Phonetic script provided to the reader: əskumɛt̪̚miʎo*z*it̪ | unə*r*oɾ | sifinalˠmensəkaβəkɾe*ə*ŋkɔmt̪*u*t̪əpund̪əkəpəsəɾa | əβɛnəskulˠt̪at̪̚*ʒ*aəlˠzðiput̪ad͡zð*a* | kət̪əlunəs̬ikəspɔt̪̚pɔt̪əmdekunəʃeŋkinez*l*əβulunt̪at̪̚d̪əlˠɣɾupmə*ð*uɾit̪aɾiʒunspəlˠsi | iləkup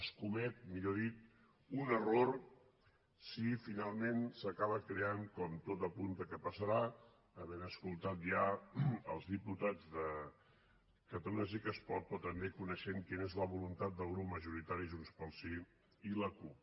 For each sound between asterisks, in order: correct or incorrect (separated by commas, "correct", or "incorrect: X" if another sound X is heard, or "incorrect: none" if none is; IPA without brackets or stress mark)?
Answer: incorrect: ð, correct, incorrect: a, incorrect: o, correct, incorrect: ə, correct, incorrect: ʒ